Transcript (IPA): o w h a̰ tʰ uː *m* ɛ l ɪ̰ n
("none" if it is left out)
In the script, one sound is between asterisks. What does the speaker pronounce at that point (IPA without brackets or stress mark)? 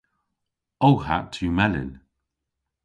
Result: m